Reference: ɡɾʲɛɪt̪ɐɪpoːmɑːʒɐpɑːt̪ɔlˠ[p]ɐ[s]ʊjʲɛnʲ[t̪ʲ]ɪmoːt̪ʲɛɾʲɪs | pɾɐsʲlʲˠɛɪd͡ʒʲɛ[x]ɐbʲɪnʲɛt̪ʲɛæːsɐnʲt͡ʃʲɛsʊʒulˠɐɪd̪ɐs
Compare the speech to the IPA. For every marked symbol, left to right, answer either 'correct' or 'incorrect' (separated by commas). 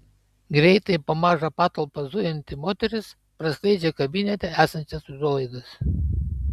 correct, incorrect, correct, incorrect